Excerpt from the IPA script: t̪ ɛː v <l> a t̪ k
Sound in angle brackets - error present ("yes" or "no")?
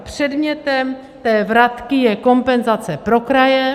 yes